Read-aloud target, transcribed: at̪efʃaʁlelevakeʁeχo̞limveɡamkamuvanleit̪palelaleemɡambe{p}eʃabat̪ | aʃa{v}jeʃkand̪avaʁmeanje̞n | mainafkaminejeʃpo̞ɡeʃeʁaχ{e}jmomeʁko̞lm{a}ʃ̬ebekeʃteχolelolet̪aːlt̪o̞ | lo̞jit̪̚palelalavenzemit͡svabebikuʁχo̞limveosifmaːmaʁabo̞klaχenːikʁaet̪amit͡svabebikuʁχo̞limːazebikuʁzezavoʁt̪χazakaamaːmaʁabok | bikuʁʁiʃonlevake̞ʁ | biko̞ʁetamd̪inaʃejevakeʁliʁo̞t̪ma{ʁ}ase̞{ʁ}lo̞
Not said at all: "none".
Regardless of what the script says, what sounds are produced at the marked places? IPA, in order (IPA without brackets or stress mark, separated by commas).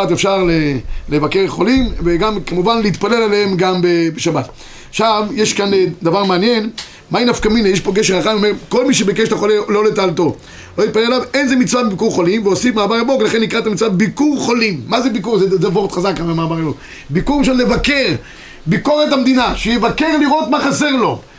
b, v, a, i, χ, ʁ